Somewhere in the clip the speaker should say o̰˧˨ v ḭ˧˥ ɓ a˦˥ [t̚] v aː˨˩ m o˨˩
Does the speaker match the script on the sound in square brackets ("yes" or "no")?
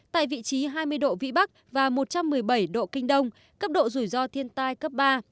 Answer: no